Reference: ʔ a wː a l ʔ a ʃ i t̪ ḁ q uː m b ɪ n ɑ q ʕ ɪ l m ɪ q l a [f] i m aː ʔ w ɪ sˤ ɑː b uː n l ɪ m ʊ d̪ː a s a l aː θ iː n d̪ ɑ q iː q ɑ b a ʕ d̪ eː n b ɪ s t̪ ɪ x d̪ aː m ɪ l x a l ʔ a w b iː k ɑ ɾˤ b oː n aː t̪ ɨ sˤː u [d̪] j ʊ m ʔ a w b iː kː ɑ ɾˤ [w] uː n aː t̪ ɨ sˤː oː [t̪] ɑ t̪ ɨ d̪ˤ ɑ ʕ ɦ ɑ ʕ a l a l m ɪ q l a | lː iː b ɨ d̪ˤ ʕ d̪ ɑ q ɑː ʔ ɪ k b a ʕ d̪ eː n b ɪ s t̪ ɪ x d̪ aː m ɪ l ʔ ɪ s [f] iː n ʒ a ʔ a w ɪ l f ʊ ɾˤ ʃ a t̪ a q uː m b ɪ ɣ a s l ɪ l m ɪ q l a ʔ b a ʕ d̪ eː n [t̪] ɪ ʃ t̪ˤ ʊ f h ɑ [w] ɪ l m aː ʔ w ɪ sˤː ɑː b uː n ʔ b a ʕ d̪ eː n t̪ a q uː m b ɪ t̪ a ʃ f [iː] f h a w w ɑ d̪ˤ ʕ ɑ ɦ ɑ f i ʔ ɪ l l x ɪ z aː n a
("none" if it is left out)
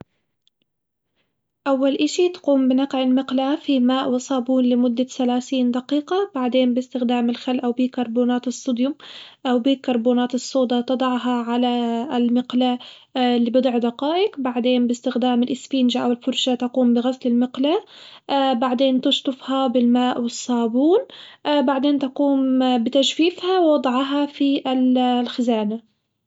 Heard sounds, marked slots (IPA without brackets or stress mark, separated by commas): f, d̪, b, d̪, f, t̪, b, iː